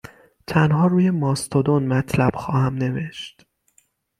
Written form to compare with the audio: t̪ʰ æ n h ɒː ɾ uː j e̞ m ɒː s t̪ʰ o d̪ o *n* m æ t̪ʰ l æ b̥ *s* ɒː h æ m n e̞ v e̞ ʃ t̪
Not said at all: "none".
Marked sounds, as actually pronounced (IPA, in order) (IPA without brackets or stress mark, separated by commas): n, x